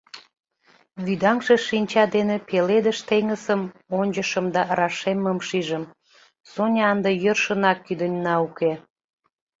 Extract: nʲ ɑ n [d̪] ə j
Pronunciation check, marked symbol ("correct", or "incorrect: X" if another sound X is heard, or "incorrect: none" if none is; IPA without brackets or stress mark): correct